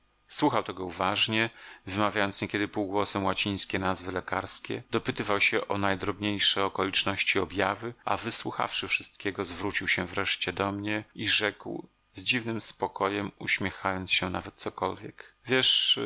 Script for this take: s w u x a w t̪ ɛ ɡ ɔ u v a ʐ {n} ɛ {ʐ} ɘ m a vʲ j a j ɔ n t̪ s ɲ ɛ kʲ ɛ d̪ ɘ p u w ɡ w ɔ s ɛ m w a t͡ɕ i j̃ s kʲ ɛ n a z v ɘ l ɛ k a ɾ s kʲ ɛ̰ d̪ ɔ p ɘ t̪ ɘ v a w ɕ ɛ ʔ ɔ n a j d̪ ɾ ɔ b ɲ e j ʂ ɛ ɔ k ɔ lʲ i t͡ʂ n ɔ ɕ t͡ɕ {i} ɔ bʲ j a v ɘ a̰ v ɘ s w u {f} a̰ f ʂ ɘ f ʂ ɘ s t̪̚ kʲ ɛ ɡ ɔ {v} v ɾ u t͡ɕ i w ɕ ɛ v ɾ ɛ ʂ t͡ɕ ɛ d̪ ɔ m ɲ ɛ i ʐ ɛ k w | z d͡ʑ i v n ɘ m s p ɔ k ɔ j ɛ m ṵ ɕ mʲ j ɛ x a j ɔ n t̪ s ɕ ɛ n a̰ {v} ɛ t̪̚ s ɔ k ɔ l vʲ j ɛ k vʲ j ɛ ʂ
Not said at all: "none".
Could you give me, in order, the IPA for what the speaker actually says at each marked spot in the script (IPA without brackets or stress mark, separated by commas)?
ɲ, v, i, x, z, v